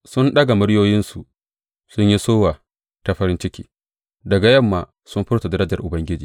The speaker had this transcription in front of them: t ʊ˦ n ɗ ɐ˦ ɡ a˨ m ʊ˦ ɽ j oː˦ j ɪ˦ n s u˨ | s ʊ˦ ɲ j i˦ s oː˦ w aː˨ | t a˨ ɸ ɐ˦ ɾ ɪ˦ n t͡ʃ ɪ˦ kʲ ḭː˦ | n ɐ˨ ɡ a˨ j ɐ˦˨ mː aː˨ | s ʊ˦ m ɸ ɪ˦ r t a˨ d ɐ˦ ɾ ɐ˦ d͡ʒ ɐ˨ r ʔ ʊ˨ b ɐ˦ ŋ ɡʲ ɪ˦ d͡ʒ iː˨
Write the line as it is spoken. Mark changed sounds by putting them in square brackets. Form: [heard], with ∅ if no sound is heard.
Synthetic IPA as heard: [s] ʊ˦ n ɗ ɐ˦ ɡ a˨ m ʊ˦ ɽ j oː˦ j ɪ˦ n s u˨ | s ʊ˦ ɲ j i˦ s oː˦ w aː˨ | t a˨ ɸ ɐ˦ ɾ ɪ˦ n t͡ʃ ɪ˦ kʲ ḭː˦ | [d] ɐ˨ ɡ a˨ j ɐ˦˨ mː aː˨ | s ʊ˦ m ɸ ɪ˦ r t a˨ d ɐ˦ ɾ ɐ˦ d͡ʒ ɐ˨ r ʔ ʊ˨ b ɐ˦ ŋ ɡʲ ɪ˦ d͡ʒ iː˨